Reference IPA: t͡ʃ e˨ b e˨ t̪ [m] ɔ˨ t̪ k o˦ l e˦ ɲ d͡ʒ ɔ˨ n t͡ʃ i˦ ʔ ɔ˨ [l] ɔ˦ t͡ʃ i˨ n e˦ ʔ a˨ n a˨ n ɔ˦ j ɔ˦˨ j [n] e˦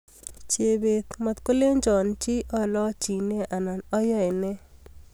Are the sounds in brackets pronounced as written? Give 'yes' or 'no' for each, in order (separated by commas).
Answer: yes, yes, yes